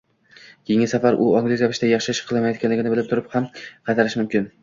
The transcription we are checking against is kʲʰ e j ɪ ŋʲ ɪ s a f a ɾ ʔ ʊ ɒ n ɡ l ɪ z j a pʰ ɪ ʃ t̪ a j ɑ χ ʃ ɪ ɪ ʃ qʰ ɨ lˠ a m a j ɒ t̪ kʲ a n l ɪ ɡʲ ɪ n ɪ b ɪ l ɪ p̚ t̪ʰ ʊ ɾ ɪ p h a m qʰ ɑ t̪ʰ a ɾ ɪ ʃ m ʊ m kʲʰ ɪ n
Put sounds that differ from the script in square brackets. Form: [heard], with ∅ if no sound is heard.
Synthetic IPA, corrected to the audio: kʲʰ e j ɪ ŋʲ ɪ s a f a ɾ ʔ ʊ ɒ [ŋ] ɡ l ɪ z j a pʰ ɪ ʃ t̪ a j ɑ χ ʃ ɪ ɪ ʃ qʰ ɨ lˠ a m a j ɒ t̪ kʲ a n l ɪ ɡʲ ɪ n ɪ b ɪ l ɪ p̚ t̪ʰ ʊ ɾ ɪ p h a m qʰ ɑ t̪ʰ a ɾ ɪ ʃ m ʊ m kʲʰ ɪ n